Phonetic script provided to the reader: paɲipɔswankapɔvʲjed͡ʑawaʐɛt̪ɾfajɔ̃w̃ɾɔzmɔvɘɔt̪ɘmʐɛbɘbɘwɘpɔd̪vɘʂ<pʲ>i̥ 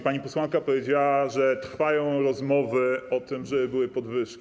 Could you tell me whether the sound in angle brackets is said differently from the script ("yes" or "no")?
yes